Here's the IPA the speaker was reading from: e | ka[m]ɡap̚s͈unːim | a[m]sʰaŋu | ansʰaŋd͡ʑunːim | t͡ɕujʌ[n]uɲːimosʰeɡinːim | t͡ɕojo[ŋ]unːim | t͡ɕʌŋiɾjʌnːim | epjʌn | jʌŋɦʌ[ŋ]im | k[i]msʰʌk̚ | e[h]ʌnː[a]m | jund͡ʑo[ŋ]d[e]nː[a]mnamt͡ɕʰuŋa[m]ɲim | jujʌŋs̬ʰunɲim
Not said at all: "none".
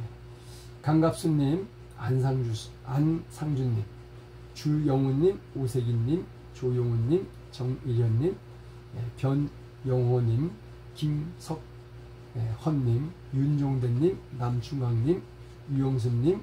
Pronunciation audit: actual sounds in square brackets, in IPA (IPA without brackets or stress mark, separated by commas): ŋ, n, ŋ, ŋ, ɲ, i, h, i, ŋ, e, i, ŋ